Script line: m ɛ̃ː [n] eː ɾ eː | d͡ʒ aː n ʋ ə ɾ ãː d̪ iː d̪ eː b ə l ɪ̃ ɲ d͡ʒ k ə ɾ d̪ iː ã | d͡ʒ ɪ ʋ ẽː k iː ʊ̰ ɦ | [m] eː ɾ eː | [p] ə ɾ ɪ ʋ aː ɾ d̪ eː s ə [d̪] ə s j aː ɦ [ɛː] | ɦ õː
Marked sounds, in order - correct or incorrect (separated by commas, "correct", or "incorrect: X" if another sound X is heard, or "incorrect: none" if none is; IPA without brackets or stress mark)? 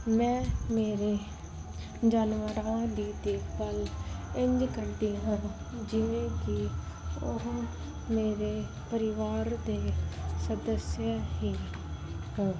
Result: incorrect: m, correct, correct, correct, incorrect: iː